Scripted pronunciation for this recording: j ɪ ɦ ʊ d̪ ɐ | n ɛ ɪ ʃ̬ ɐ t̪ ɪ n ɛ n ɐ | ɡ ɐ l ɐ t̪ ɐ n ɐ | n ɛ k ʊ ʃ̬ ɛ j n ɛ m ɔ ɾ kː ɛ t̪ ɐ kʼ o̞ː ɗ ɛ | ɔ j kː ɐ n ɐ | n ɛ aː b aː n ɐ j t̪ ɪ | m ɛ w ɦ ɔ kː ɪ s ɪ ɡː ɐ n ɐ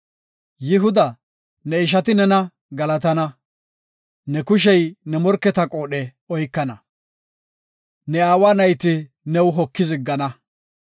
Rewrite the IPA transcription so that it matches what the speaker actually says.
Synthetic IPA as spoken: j ɪ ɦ ʊ d̪ ɐ | n ɛ ɪ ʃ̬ ɐ t̪ ɪ n ɛ n ɐ | ɡ ɐ l ɐ t̪ ɐ n ɐ | n ɛ k ʊ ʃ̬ ɛ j n ɛ m ɔ ɾ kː ɛ t̪ ɐ kʼ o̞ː ɗ ɛ | ɔ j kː ɐ n ɐ | n ɛ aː w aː n ɐ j t̪ ɪ | n ɛ w ɦ ɔ kː ɪ z ɪ ɡː ɐ n ɐ